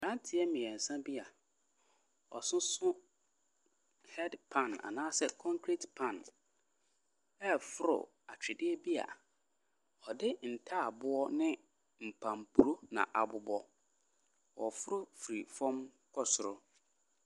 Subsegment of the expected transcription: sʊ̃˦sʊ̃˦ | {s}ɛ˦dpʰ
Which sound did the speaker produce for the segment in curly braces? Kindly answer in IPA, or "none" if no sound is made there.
h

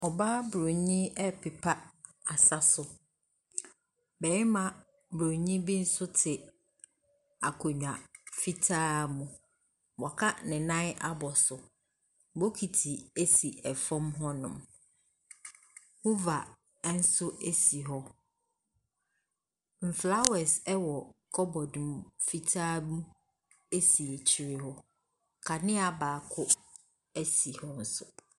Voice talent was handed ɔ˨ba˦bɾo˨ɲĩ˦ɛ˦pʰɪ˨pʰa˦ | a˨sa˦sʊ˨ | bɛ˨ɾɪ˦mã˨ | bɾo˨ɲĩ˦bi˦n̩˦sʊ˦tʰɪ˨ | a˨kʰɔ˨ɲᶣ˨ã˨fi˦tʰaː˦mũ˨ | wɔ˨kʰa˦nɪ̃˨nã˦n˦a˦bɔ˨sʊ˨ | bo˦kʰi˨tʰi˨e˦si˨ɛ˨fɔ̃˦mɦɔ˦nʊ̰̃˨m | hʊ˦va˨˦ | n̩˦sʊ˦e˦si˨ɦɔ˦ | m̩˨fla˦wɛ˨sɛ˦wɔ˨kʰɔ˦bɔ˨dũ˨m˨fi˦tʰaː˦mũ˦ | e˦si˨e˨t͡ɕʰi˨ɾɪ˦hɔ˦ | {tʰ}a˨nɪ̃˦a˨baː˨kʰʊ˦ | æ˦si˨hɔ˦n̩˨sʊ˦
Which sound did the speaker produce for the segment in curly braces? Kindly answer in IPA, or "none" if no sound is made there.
kʰ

